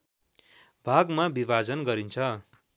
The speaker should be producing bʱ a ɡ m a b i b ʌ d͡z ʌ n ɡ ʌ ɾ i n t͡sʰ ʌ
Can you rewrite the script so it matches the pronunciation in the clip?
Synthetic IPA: bʱ a ɡ m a b i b a d͡z ʌ n ɡ ʌ ɾ i n t͡sʰ ʌ